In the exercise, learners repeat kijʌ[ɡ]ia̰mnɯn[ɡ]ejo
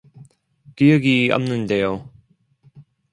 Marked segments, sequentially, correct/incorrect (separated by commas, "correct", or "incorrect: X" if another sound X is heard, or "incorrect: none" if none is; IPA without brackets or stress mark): correct, incorrect: d